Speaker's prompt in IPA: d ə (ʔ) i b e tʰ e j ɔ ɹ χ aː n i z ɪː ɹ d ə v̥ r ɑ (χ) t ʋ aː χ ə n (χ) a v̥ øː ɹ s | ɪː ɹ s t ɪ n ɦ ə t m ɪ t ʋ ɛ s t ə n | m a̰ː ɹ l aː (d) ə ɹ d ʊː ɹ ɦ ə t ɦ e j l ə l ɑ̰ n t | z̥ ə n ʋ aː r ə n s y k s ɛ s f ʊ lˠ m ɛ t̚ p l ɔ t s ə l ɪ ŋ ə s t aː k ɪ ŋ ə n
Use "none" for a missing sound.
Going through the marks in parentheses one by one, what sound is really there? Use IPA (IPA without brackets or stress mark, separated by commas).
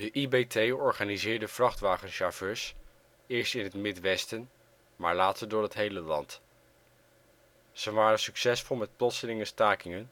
ʔ, χ, ʃ, t